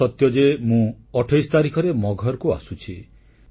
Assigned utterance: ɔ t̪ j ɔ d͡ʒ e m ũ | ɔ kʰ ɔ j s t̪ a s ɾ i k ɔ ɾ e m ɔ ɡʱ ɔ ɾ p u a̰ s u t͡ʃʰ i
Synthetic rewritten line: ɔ t̪ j ɔ d͡ʒ e m ũ | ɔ ʈʰ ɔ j s t̪ a ɾ i kʰ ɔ ɾ e m ɔ ɡʱ ɔ ɾ k u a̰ s u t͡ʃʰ i